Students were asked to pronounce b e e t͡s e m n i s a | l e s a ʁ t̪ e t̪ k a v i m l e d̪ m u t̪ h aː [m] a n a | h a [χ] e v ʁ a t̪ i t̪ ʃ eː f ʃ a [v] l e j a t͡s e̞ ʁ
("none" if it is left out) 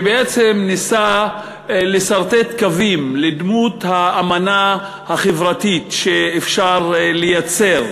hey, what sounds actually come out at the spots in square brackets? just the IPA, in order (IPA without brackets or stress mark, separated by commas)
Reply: m, χ, ʁ